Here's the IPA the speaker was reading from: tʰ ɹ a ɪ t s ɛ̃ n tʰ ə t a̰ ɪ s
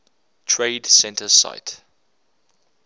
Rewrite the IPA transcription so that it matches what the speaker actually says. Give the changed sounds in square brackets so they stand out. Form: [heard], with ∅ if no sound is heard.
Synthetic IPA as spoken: tʰ ɹ [e] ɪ [d] s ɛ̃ n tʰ ə [s] a̰ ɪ [t]